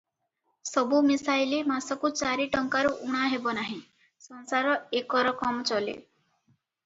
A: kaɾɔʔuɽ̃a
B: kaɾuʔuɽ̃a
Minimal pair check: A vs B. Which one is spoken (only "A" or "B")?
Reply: B